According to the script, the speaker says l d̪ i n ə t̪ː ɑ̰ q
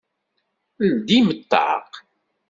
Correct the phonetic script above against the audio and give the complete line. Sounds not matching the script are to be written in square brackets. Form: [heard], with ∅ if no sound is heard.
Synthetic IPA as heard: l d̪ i [m] ə t̪ː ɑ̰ q